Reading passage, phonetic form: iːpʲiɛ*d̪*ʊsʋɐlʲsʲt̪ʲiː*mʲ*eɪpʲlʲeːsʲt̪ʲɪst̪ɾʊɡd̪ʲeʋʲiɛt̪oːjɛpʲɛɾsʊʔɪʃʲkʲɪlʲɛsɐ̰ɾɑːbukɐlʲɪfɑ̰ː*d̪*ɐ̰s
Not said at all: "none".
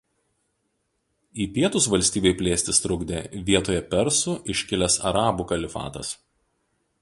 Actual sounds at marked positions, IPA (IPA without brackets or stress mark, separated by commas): t̪, bʲ, t̪